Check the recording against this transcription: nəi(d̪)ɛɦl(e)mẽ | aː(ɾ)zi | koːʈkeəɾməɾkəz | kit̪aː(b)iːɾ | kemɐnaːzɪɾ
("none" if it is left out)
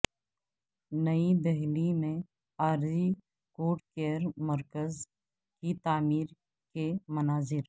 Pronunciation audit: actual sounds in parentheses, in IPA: d̪, i, ɾ, m

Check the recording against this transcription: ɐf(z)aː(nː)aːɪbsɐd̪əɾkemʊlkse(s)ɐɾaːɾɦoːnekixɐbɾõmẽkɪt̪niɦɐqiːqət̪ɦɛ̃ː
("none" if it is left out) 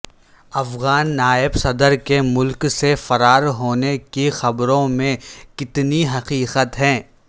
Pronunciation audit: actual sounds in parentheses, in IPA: ɣ, nː, f

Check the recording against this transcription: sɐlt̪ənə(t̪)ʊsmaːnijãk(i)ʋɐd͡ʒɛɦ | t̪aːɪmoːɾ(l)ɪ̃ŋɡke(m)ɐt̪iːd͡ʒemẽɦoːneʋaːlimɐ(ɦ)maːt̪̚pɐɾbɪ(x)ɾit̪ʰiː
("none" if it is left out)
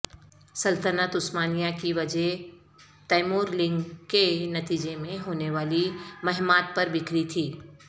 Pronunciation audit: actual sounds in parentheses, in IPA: t̪, i, l, n, ɦ, k

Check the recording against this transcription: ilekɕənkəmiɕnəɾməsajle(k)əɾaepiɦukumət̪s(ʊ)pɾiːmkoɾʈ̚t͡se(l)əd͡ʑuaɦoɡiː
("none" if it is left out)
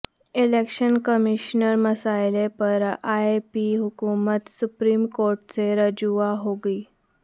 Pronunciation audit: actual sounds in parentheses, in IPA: p, u, ɾ

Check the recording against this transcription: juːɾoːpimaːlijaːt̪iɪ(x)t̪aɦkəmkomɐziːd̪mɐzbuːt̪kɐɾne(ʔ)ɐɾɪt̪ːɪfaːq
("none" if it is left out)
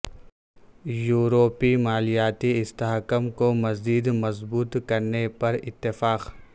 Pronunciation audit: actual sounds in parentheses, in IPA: s, p

